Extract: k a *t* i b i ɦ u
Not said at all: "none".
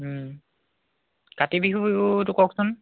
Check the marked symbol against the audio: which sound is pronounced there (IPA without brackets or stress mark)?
t